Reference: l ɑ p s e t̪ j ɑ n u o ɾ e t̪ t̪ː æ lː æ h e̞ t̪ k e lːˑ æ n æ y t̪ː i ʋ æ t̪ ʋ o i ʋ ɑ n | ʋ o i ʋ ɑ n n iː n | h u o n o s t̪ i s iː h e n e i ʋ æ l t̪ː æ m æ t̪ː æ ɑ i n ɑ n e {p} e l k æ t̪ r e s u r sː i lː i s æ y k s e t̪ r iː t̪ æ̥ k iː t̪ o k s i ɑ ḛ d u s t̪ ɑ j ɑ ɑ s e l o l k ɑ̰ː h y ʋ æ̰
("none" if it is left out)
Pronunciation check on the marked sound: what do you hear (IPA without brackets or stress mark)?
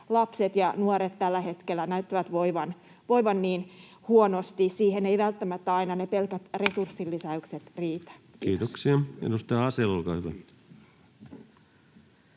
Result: p